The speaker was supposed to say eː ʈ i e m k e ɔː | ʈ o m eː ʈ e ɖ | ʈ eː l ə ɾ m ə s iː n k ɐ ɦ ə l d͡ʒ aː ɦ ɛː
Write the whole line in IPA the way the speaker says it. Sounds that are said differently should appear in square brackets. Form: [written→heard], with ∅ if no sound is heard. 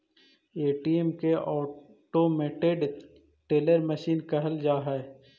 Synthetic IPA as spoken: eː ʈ i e m k e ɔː | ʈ o m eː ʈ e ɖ | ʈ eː l ə ɾ m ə [s→ʃ] iː n k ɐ ɦ ə l d͡ʒ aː ɦ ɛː